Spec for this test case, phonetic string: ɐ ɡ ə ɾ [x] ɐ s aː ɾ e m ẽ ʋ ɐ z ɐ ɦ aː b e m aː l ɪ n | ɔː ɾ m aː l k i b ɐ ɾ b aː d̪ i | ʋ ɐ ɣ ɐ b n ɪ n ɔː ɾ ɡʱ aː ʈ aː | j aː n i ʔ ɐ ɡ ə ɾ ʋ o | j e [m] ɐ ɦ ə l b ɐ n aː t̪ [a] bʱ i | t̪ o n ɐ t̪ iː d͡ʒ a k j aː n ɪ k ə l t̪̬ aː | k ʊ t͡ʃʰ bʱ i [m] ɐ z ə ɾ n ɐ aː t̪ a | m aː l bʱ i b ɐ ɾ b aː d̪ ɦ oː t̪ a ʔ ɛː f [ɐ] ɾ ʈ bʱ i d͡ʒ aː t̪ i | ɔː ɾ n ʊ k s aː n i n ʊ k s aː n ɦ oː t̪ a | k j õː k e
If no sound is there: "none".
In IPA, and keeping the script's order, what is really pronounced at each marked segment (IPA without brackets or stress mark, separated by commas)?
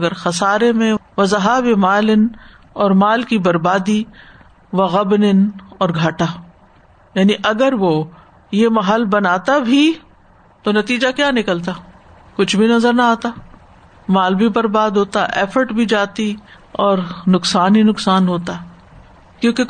x, m, a, n, ə